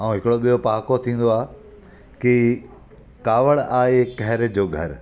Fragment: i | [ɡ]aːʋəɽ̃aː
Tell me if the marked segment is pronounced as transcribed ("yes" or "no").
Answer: no